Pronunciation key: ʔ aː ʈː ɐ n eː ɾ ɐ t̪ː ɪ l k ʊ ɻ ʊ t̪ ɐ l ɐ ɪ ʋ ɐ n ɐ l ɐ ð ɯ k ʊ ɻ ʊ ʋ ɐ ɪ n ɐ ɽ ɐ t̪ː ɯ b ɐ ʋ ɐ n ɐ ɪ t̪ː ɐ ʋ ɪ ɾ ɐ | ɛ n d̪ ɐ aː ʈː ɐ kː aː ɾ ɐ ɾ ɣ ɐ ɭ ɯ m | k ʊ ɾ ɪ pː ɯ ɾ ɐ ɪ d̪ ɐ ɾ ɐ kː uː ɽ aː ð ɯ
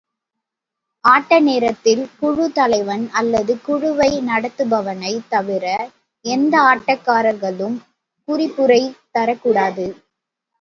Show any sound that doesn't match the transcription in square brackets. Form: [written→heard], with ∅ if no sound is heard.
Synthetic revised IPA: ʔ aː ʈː ɐ n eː ɾ ɐ t̪ː ɪ l k ʊ ɻ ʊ t̪ ɐ l ɐ ɪ ʋ ɐ n ɐ [l→lː] ɐ ð ɯ k ʊ ɻ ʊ ʋ ɐ ɪ n ɐ ɽ ɐ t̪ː ɯ b ɐ ʋ ɐ n ɐ ɪ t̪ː ɐ ʋ ɪ ɾ ɐ | ɛ n d̪ ɐ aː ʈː ɐ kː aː ɾ ɐ ɾ ɣ ɐ ɭ ɯ m | k ʊ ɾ ɪ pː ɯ ɾ ɐ ɪ [d̪→t̪] ɐ ɾ ɐ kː uː ɽ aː ð ɯ